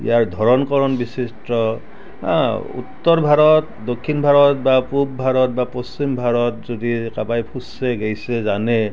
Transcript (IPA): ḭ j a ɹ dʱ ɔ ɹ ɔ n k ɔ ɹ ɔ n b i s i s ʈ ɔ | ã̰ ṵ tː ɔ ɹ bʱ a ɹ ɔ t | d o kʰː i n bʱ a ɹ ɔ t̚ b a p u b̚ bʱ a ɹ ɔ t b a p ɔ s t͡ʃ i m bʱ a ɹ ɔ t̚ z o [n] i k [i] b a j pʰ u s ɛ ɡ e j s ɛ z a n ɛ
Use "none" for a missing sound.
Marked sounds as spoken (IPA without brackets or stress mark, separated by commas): d, a